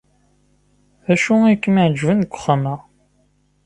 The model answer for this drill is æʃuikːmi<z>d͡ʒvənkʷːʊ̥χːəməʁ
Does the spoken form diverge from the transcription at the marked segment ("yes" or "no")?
yes